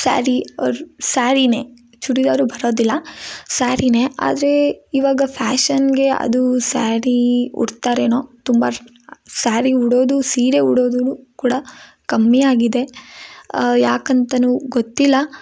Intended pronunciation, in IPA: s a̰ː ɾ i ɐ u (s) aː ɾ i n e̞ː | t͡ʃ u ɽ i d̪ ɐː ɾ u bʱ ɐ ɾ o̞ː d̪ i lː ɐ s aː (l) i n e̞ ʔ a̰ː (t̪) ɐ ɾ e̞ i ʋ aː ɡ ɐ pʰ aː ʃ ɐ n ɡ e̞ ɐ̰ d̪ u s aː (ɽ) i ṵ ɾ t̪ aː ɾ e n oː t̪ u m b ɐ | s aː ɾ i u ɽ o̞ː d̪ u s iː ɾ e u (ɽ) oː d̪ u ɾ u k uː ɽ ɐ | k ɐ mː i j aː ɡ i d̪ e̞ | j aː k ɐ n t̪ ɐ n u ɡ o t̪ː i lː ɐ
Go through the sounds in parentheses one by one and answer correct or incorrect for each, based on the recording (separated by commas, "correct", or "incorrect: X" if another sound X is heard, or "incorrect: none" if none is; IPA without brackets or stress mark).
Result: correct, incorrect: ɾ, incorrect: d̪, incorrect: ɾ, correct